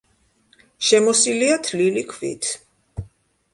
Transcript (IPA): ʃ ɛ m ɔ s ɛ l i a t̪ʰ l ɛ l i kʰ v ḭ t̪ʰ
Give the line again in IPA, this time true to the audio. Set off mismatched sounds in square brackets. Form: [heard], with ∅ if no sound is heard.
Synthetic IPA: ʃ ɛ m ɔ s [i] l i a t̪ʰ l [i] l i kʰ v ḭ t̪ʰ